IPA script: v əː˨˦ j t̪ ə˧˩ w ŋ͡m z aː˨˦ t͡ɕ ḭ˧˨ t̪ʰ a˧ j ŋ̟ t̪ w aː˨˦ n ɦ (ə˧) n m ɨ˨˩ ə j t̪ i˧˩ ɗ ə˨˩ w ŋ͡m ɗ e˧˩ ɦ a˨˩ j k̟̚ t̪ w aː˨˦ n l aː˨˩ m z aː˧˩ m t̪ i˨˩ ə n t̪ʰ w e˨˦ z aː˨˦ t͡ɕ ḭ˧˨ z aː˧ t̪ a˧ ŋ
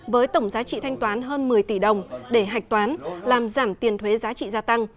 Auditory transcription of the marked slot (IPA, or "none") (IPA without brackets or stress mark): əː˧